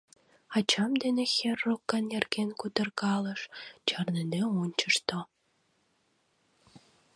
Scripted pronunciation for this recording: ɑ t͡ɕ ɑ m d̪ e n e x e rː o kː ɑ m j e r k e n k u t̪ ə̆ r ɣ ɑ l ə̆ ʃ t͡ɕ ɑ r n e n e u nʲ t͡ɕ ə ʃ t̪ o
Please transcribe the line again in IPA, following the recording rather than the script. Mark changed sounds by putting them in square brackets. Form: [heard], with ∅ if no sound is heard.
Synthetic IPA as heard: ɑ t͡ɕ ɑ m d̪ e n e x e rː o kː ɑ [n] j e r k e n k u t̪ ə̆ r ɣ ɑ l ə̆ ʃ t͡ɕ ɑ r n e n e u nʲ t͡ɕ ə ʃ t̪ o

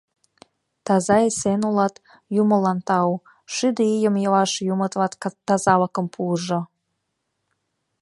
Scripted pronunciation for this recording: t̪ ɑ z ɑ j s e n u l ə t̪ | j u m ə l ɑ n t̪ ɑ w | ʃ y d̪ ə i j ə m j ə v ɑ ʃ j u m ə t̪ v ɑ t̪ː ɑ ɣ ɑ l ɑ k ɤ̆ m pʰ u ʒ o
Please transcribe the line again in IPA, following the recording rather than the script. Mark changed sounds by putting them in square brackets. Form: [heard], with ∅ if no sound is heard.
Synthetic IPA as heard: t̪ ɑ z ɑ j s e n u l [ɑ] t̪ | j u m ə l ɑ n t̪ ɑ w | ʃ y d̪ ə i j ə m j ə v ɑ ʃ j u m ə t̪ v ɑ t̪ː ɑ [z] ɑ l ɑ k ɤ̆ m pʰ u ʒ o

